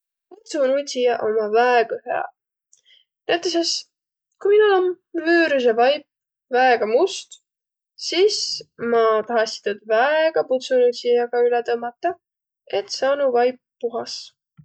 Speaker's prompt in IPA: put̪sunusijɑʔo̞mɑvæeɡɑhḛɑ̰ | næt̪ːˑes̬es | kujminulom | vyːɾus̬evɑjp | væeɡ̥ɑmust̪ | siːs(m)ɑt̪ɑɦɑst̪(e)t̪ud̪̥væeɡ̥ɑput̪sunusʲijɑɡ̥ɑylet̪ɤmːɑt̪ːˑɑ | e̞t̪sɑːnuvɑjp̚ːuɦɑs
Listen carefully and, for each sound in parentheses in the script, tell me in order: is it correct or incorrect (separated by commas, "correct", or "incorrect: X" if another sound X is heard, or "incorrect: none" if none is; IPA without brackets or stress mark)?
correct, incorrect: i